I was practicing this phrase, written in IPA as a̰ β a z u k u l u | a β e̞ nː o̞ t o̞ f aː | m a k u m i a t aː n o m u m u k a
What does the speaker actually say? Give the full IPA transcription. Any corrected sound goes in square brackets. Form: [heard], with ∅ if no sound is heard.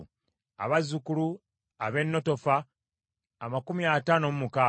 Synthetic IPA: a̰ β a z u k u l u | a β e̞ nː o̞ t o̞ f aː | m a k u m i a t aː n o m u m u k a